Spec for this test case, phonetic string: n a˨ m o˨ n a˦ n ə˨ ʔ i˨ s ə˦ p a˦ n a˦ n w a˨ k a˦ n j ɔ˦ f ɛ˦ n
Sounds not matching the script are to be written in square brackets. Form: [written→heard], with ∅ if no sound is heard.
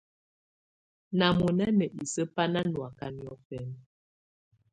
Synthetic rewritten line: n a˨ m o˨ n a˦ n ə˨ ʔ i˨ s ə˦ p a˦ n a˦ n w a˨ k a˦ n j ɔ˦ f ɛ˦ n